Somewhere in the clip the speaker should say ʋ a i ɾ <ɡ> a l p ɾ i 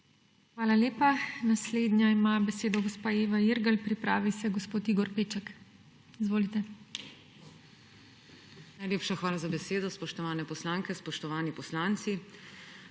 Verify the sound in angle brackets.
correct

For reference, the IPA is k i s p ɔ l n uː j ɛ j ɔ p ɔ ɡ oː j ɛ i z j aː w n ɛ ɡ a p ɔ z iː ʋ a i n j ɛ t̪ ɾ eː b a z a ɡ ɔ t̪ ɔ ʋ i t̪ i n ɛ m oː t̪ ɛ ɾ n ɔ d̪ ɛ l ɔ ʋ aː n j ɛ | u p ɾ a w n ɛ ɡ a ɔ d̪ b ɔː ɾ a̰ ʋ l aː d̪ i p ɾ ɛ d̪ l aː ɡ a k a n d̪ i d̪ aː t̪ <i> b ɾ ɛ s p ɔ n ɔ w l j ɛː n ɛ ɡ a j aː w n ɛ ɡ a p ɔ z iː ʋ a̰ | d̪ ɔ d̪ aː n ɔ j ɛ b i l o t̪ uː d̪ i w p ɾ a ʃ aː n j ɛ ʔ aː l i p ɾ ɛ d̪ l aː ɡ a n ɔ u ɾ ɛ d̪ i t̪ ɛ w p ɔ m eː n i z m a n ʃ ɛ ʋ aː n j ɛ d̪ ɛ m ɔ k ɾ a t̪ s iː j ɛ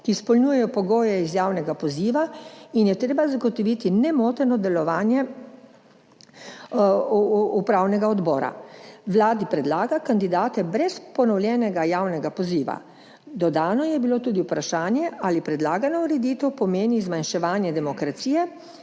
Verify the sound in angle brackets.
incorrect: ɛ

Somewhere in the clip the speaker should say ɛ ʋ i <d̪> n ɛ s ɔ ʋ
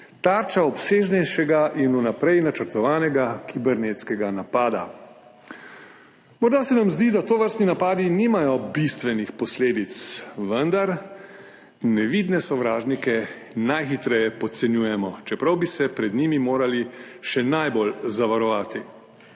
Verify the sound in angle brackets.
correct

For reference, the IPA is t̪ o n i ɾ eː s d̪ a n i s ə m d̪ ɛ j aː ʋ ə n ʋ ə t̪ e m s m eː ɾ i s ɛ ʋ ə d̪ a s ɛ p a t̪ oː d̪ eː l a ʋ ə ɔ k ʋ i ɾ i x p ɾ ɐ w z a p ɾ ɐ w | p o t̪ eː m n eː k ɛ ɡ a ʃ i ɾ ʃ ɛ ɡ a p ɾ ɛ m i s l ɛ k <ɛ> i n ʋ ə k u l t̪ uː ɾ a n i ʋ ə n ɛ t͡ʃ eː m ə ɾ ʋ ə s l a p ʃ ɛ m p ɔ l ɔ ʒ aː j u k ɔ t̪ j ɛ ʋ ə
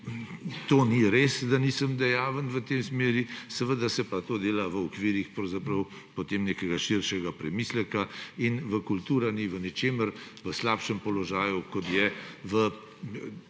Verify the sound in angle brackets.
incorrect: a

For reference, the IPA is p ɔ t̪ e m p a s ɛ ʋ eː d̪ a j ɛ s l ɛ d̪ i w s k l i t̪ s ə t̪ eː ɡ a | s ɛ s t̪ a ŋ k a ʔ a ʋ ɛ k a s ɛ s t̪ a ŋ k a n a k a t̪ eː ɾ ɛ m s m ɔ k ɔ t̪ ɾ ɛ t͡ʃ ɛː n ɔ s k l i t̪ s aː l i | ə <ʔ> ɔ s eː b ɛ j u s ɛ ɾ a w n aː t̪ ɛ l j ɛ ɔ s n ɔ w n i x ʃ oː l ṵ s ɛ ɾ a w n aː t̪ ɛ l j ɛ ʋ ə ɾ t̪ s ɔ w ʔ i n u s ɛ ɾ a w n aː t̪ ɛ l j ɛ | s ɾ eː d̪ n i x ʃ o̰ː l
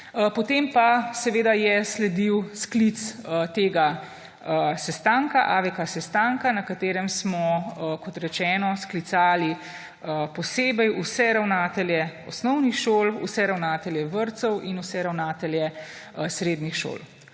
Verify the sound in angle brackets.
incorrect: p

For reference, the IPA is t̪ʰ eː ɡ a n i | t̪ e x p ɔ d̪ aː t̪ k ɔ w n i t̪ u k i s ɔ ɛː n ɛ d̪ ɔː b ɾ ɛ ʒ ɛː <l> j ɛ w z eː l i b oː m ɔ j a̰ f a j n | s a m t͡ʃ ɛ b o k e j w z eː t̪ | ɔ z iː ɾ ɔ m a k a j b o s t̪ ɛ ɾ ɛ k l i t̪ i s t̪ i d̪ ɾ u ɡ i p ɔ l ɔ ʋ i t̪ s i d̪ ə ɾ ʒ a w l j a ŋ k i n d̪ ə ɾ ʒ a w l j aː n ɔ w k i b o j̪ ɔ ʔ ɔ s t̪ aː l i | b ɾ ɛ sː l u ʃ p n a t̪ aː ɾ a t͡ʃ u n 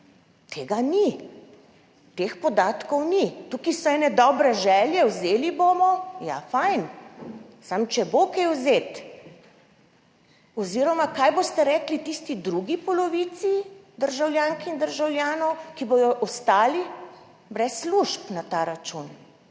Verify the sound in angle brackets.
correct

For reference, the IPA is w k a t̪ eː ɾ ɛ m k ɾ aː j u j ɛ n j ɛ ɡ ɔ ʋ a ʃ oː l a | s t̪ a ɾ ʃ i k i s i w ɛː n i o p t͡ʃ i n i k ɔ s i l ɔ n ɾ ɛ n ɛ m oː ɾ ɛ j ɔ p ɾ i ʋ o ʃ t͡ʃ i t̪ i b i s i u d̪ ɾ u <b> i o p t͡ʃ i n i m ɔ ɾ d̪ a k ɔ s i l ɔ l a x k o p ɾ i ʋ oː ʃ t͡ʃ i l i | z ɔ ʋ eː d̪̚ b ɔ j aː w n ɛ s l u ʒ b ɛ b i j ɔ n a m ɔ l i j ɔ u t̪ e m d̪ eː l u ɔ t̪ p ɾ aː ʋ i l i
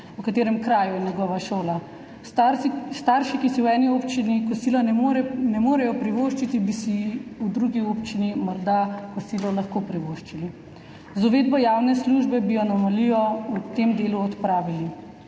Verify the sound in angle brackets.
incorrect: ɡ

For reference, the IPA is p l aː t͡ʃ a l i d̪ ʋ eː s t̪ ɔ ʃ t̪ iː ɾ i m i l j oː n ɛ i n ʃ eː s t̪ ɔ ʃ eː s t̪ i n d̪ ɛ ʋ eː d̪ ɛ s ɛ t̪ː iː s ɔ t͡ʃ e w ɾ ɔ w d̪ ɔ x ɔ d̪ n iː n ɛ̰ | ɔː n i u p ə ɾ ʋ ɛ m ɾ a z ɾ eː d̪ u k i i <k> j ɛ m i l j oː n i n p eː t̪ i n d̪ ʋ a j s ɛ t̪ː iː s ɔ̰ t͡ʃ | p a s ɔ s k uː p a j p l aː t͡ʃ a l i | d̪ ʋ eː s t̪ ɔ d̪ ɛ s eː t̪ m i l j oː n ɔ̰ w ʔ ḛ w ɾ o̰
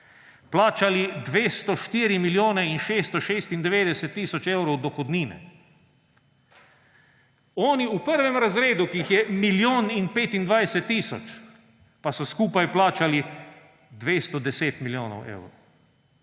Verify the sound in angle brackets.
incorrect: x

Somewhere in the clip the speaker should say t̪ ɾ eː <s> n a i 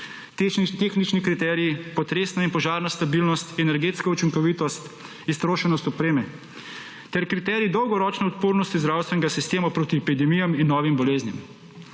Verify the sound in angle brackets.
correct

